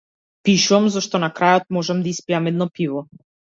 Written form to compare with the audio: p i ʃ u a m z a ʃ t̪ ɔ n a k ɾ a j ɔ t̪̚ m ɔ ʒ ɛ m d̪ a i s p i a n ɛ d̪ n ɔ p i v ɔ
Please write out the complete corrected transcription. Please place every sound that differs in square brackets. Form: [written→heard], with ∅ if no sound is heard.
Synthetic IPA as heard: p i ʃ u a m z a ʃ t̪ ɔ n a k ɾ a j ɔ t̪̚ m ɔ ʒ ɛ m d̪ a i s p i a [n→m] ɛ d̪ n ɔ p i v ɔ